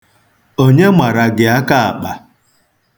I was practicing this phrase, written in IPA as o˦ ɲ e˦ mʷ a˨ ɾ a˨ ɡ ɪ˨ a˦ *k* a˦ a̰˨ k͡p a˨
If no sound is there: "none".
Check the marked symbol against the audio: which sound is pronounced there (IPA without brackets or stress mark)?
k